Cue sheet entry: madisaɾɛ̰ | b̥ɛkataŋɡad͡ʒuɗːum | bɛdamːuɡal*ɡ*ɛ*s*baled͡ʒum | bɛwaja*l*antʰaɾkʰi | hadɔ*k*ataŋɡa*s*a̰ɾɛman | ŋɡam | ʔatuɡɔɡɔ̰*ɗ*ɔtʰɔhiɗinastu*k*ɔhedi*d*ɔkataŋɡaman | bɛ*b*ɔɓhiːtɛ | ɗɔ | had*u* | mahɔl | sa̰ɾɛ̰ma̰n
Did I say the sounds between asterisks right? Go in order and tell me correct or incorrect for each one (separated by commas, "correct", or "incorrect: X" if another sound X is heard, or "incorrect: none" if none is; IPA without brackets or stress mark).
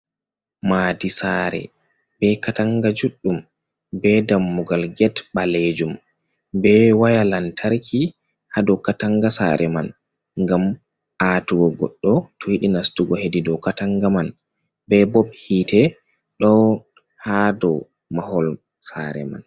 correct, incorrect: t, correct, correct, correct, incorrect: ɗː, incorrect: ɡ, correct, correct, incorrect: ɔ